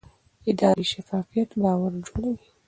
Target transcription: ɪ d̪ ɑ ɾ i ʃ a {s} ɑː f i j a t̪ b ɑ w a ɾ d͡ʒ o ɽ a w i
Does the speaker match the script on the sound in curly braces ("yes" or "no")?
no